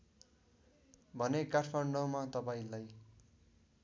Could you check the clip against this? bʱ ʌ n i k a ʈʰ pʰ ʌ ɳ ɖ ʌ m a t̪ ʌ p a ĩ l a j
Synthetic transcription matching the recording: bʱ ʌ n e k a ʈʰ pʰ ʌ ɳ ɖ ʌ m a t̪ ʌ p a ĩ l a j